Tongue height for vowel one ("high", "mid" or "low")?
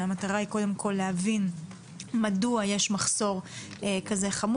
low